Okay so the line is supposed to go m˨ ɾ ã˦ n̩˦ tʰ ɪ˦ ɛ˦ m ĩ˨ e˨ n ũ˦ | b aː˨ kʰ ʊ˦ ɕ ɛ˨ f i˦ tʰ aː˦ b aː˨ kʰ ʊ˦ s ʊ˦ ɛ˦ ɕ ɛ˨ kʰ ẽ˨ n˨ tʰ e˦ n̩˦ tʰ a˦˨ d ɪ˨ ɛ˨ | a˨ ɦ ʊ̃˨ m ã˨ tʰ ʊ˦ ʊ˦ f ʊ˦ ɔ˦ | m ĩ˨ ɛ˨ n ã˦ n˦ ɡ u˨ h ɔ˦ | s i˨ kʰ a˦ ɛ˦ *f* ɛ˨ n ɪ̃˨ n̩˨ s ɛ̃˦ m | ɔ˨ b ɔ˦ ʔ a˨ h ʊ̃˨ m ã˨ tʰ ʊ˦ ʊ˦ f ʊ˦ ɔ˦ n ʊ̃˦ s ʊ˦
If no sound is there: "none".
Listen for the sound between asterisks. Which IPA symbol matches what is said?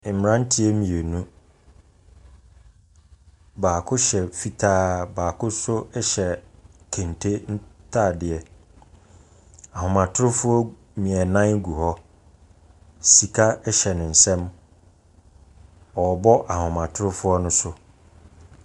ɕ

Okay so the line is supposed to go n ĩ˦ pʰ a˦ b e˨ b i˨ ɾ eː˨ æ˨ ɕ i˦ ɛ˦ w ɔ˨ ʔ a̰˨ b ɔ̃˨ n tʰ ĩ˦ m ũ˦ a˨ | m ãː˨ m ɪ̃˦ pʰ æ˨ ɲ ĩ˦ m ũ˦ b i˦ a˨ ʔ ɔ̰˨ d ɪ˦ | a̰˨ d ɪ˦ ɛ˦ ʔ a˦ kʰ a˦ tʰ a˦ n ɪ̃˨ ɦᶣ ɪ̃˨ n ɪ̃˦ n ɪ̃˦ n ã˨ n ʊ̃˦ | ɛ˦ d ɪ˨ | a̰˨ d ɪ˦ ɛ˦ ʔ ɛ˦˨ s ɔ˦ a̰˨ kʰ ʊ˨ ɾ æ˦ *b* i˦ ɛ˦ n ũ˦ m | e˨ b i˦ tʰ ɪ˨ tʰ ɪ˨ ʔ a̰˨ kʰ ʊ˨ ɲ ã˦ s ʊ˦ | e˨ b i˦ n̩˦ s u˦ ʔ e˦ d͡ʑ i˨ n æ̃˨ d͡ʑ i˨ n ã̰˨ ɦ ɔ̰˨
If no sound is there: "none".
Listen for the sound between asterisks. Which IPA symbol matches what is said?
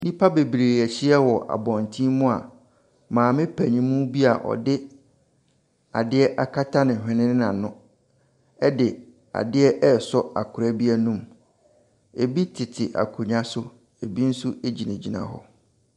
b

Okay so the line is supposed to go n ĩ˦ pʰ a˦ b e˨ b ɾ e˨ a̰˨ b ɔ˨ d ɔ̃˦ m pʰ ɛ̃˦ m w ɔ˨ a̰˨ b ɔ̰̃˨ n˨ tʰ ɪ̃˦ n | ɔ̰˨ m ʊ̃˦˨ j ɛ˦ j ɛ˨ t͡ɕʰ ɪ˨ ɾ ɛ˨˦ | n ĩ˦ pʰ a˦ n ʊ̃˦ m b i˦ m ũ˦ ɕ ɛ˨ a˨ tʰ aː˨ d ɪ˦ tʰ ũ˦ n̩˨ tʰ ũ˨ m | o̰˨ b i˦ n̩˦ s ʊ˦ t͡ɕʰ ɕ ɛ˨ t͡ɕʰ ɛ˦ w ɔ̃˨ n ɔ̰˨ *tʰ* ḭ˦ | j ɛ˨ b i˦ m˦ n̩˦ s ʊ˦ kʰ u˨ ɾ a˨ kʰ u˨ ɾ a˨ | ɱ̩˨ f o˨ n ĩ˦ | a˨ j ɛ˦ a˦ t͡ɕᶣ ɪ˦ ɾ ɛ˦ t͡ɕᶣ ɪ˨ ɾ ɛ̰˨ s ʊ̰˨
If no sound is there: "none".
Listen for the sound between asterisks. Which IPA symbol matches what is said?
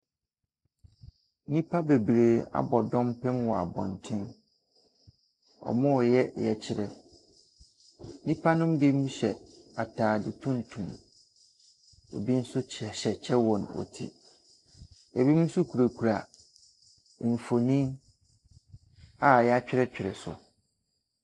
tʰ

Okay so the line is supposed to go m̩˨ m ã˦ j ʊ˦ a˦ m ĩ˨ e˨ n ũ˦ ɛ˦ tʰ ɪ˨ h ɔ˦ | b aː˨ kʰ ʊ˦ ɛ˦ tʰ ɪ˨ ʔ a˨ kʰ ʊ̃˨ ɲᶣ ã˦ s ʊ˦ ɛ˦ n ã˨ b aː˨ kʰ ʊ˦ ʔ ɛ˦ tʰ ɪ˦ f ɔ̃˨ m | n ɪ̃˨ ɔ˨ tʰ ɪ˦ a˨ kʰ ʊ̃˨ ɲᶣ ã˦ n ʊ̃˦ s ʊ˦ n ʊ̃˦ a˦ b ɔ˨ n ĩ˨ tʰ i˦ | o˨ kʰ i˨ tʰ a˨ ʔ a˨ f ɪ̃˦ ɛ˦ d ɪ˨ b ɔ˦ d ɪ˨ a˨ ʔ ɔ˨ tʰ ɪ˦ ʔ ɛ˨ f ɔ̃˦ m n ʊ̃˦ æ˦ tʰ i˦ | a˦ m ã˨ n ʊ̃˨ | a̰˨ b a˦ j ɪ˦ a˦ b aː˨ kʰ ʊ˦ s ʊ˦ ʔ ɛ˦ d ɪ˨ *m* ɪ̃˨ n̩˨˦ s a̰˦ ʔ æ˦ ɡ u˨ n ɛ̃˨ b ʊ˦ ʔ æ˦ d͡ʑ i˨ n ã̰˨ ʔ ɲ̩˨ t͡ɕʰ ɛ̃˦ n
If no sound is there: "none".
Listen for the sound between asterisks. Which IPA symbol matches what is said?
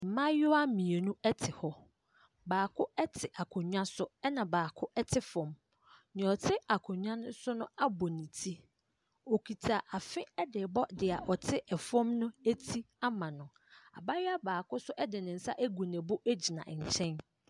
n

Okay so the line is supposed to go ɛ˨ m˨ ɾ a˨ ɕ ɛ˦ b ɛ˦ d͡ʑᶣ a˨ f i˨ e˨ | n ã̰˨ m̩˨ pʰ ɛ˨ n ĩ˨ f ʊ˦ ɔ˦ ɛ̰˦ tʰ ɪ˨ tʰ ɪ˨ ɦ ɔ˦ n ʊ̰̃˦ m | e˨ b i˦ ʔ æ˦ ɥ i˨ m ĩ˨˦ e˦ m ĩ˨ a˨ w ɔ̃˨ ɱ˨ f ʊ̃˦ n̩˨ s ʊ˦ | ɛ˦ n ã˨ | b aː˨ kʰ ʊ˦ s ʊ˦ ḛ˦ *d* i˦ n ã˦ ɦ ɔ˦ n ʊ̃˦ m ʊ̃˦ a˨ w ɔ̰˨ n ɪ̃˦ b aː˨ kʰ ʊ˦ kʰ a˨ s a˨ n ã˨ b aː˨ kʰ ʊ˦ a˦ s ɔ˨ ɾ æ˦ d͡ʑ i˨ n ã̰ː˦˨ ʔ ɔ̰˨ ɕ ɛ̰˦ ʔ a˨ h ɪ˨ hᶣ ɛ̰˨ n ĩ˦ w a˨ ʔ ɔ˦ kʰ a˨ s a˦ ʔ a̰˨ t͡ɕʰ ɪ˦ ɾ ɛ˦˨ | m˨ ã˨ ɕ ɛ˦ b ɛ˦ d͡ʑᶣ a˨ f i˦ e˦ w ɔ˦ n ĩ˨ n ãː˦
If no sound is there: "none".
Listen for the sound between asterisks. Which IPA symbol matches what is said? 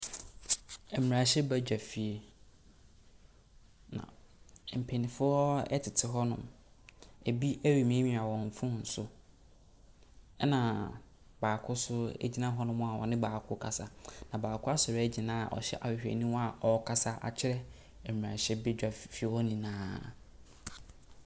d͡ʑ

